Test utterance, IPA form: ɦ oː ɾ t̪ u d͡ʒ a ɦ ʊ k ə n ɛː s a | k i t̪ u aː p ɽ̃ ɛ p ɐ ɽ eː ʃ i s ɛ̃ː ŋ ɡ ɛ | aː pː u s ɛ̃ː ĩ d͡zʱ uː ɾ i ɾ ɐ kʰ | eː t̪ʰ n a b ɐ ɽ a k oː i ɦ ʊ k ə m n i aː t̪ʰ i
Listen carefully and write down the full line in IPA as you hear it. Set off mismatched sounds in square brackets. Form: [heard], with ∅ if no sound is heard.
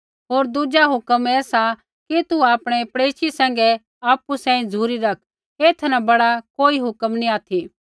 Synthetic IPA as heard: ɦ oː ɾ [d̪] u d͡ʒ a ɦ ʊ k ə [m] ɛː s a | k i t̪ u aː p ɽ̃ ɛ p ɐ ɽ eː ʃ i s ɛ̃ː ŋ ɡ ɛ | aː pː u s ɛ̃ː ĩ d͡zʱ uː ɾ i ɾ ɐ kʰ | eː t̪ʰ n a b ɐ ɽ a k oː i ɦ ʊ k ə m n i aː t̪ʰ i